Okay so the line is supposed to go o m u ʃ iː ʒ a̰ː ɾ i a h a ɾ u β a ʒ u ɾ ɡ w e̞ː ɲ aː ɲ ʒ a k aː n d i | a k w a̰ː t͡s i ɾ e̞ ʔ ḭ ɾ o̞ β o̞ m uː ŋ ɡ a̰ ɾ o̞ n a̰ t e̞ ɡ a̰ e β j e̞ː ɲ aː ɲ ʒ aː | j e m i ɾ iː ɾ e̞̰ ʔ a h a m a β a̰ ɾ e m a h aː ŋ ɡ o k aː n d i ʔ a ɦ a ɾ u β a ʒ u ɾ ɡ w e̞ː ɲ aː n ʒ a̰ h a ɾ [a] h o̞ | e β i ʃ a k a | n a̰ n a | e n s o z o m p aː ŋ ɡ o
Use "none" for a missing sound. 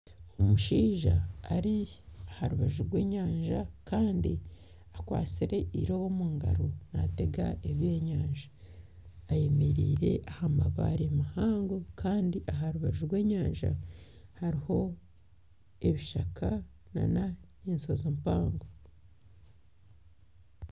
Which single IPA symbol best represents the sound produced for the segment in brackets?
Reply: i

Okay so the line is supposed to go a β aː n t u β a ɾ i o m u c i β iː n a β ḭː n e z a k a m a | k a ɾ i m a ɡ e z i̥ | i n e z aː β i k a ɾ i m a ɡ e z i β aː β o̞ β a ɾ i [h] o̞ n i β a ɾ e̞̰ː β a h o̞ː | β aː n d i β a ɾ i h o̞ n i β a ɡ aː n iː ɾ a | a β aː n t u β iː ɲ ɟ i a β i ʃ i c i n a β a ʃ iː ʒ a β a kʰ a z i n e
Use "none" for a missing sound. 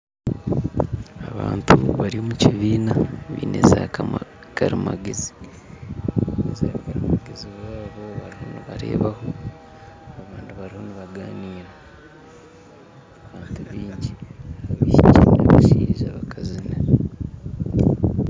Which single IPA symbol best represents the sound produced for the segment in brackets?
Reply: h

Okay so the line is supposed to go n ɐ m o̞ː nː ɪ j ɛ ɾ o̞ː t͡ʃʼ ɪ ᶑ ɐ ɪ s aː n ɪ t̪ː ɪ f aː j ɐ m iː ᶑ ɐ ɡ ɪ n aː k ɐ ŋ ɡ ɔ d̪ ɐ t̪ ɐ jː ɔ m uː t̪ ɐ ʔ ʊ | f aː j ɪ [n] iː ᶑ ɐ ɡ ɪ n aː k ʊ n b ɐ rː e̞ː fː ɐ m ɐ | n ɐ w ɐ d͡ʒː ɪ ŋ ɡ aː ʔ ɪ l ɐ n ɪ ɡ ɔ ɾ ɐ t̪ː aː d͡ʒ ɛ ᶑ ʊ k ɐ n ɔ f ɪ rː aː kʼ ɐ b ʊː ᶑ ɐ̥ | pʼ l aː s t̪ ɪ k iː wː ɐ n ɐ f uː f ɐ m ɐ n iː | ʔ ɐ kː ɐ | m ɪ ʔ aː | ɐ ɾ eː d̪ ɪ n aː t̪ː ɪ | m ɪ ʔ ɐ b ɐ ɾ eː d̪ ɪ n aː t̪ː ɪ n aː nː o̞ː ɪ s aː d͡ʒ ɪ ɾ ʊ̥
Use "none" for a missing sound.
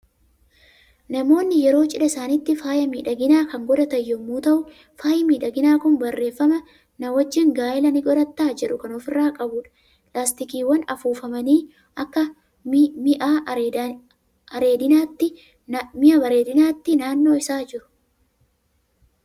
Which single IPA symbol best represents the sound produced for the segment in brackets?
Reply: m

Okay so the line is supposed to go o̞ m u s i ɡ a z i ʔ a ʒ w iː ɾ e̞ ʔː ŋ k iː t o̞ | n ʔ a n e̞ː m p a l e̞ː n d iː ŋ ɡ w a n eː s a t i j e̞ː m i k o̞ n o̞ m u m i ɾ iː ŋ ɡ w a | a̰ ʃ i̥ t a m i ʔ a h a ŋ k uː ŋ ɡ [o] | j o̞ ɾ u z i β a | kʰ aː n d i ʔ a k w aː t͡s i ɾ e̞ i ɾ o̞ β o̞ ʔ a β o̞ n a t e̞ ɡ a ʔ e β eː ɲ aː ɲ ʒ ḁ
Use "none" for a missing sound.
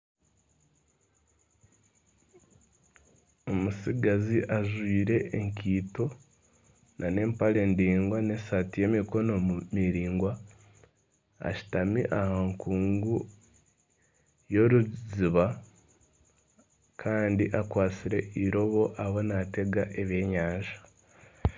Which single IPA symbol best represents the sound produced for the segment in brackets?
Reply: u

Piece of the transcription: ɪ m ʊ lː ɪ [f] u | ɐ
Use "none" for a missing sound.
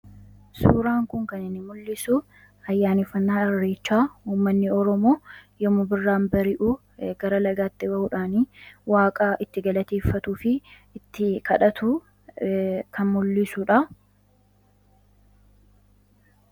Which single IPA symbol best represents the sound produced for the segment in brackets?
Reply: s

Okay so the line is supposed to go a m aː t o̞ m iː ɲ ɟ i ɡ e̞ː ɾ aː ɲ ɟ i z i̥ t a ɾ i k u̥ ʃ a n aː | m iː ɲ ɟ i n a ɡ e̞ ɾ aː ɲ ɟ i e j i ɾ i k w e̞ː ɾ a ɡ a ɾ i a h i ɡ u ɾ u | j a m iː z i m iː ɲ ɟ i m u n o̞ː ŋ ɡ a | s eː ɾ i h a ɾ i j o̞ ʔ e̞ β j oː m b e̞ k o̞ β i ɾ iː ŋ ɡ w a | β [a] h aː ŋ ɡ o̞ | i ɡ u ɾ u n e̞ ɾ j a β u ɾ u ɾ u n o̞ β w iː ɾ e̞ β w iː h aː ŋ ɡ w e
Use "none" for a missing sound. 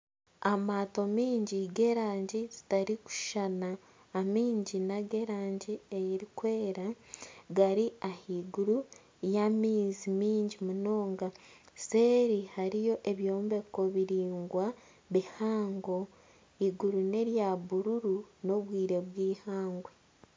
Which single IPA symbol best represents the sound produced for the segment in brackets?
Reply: i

